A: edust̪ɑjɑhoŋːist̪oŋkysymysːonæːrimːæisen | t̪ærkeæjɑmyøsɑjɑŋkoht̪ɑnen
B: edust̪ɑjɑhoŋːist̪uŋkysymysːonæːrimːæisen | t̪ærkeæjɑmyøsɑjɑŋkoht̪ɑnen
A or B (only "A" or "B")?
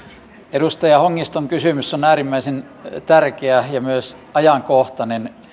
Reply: A